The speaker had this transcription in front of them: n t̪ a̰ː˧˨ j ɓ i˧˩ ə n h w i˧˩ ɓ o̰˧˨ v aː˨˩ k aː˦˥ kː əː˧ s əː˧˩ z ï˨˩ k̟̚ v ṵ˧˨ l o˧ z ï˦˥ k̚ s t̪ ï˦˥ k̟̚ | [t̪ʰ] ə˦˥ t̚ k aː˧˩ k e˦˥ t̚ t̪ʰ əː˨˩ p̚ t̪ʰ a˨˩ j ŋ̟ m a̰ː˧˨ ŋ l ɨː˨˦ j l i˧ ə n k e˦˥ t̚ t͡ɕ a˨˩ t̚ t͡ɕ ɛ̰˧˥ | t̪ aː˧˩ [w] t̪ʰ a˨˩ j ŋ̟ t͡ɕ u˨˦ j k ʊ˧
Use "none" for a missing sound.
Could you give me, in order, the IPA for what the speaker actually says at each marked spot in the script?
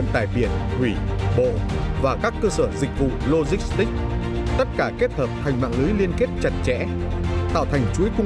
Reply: t̪, w

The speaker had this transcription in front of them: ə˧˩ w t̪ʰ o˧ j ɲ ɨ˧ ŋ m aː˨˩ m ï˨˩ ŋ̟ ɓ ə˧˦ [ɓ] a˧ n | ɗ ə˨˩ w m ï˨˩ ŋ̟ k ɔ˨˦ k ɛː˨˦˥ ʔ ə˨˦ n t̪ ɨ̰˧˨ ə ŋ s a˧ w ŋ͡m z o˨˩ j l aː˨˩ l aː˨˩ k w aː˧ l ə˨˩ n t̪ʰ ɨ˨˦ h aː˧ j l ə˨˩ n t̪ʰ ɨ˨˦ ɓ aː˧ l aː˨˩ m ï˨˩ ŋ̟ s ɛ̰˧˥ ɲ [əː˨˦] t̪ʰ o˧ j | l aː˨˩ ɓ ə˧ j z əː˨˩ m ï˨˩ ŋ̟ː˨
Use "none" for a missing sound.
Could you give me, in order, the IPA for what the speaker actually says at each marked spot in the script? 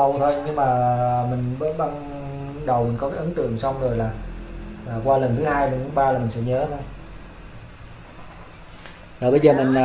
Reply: ɓ, əː˨˦

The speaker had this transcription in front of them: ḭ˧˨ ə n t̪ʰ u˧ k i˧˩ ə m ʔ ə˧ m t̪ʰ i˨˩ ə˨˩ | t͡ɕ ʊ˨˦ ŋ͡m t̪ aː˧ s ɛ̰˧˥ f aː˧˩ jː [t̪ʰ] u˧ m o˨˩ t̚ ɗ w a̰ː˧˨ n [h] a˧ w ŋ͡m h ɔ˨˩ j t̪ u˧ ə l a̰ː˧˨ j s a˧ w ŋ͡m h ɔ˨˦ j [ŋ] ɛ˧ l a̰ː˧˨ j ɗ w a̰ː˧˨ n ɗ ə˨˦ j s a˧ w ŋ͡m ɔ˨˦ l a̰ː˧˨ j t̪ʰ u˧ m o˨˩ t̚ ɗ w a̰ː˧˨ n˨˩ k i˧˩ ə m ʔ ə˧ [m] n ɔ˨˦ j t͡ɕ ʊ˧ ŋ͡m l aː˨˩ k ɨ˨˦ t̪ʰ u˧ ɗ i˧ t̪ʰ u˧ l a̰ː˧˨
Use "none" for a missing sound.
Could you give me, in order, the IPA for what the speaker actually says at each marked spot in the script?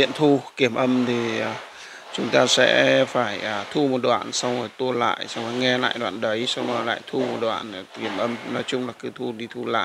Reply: t̪ʰ, s, ŋ, m

